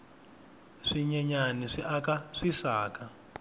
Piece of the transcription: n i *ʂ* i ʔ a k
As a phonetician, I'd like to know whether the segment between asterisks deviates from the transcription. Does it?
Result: no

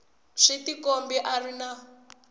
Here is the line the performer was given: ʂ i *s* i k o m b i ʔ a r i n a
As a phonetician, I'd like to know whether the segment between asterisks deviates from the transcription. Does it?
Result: yes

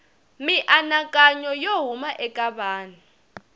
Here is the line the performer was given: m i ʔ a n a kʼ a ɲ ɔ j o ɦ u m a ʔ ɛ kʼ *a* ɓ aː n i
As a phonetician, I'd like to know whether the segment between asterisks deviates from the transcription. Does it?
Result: no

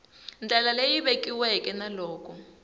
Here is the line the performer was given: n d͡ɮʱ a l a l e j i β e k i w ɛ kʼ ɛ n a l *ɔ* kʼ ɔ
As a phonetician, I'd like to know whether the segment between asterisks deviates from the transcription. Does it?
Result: yes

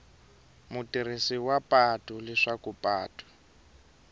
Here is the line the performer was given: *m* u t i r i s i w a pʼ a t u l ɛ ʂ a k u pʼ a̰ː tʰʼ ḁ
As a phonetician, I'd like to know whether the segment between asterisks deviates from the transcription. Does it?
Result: no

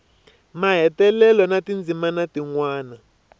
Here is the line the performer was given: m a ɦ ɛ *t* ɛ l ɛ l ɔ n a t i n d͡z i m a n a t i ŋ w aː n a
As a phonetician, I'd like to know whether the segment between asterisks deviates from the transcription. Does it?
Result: no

